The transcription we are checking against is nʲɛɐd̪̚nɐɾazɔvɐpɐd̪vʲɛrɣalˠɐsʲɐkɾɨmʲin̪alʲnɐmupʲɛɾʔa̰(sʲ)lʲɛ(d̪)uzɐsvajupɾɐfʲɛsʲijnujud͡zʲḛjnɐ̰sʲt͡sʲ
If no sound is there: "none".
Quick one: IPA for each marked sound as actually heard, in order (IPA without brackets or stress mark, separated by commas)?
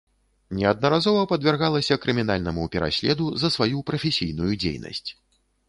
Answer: sʲ, d̪